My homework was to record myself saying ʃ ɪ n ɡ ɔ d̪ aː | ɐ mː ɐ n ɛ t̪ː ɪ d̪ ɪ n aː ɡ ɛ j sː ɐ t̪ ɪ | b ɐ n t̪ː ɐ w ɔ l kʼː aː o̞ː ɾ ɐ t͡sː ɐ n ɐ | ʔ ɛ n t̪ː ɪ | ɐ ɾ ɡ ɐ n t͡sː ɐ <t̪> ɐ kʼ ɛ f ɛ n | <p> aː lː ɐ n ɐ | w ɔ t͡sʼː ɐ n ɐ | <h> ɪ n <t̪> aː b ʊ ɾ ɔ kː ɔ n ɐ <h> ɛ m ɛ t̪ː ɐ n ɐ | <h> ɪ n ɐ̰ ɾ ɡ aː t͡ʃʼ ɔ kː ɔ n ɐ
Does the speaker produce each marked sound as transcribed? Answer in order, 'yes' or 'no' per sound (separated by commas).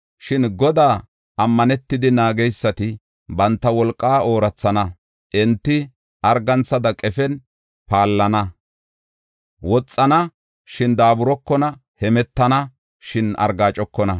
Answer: no, yes, no, no, yes, no